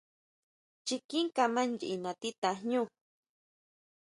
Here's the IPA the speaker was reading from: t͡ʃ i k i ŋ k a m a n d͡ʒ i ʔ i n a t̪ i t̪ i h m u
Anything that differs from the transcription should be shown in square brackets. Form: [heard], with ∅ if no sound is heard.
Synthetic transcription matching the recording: t͡ʃ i k i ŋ k a m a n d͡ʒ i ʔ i n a t̪ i t̪ [a] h [ɲ] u